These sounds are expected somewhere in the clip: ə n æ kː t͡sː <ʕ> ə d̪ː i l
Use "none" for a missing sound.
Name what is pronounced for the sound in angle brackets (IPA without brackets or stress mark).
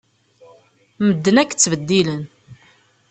v